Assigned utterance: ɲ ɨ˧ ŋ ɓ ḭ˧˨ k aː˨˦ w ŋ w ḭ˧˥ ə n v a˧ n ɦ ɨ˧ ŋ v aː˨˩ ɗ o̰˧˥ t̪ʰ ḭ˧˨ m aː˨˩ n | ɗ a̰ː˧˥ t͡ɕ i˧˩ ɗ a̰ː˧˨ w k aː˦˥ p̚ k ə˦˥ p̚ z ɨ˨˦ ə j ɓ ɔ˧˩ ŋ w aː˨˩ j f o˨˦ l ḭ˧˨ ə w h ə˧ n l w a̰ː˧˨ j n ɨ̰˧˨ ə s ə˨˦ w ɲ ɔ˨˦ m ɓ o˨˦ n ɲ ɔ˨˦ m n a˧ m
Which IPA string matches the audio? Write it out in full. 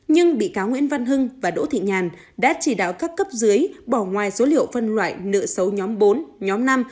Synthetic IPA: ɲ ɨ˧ ŋ ɓ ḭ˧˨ k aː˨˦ w ŋ w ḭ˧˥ ə n v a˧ n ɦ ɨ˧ ŋ v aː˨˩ ɗ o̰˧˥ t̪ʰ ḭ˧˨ ɲ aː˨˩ n | ɗ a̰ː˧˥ t͡ɕ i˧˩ ɗ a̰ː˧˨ w k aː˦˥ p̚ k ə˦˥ p̚ z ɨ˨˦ ə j ɓ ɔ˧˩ ŋ w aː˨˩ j s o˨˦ l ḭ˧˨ ə w f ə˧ n l w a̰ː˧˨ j n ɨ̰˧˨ ə s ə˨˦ w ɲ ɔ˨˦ m ɓ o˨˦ n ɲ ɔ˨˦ m n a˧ m